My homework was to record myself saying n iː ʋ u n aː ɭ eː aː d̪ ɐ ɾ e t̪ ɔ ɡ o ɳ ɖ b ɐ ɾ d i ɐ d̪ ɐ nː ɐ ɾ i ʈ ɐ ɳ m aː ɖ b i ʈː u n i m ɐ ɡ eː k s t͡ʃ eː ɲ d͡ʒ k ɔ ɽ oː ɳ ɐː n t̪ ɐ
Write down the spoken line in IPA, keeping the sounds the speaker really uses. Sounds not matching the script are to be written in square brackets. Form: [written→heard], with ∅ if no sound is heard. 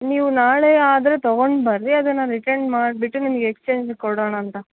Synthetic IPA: n iː ʋ u n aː ɭ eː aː d̪ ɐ ɾ e t̪ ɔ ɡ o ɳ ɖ b ɐ ɾ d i ɐ d̪ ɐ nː ɐ ɾ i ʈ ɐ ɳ m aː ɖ b i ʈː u n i m ɐ ɡ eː k s t͡ʃ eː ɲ d͡ʒ k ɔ ɽ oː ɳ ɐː n t̪ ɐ